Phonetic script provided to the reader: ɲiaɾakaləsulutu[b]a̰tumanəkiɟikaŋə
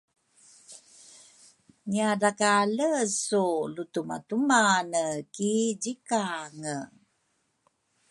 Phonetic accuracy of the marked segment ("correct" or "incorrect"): incorrect